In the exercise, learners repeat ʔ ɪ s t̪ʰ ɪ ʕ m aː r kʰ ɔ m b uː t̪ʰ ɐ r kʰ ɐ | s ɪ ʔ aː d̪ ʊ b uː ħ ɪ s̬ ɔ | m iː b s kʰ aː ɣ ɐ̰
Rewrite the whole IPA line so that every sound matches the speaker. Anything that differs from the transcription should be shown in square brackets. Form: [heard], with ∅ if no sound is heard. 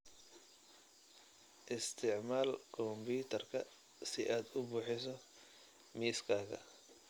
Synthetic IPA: ʔ ɪ s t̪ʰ ɪ ʕ m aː [l] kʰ ɔ m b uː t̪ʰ ɐ r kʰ ɐ | s ɪ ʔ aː d̪ ʊ b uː ħ ɪ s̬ ɔ | m iː [∅] s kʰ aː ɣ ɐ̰

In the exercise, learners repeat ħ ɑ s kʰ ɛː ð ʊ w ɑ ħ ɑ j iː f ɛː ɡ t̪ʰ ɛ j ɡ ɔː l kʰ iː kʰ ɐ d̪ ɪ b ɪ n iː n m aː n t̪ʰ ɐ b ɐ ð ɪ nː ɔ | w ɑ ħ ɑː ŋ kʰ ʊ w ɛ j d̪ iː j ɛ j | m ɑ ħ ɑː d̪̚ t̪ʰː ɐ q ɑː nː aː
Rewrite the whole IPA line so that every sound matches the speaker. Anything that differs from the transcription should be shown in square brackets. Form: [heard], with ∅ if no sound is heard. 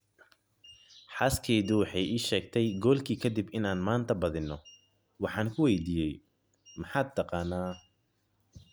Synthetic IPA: ħ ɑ s kʰ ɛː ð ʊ w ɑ ħ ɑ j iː [ʃ] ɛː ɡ t̪ʰ ɛ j ɡ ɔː l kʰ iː kʰ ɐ d̪ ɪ b ɪ n [aː] n m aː n t̪ʰ ɐ b ɐ ð ɪ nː ɔ | w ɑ ħ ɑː ŋ kʰ ʊ w ɛ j d̪ iː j ɛ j | m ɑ ħ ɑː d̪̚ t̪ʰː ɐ q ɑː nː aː

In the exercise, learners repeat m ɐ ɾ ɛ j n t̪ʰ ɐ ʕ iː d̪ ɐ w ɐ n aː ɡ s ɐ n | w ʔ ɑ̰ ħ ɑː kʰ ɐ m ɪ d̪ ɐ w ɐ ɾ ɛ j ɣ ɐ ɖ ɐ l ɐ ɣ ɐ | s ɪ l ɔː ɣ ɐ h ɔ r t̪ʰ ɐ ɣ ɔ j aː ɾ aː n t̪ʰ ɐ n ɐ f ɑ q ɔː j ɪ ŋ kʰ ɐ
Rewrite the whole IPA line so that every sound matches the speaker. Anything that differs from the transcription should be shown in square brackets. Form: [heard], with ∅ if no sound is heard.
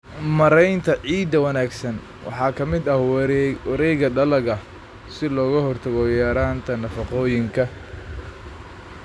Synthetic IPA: m ɐ ɾ ɛ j n t̪ʰ ɐ ʕ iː d̪ ɐ w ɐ n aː ɡ s ɐ n | w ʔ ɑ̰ ħ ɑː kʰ ɐ m ɪ d̪ ɐ w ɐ ɾ ɛ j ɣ ɐ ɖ ɐ l ɐ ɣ ɐ | s ɪ l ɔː ɣ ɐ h ɔ r t̪ʰ ɐ ɣ ɔ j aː ɾ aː n t̪ʰ ɐ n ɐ f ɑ q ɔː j ɪ ŋ kʰ ɐ

